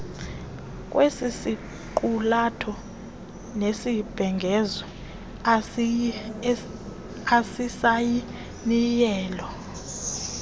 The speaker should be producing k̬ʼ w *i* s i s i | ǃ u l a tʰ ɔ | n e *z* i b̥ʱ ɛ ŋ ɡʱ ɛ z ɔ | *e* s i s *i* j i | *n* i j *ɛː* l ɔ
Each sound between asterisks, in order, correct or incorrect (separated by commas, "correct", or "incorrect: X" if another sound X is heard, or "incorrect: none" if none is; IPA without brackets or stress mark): incorrect: e, incorrect: s, incorrect: a, incorrect: a, correct, correct